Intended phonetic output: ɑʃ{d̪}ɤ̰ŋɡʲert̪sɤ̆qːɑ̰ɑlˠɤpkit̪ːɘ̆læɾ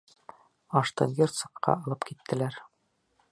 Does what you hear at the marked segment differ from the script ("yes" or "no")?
yes